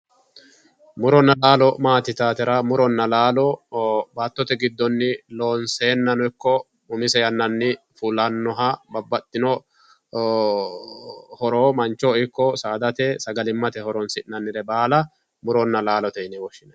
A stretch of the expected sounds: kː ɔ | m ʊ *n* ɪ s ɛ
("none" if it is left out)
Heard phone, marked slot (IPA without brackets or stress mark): m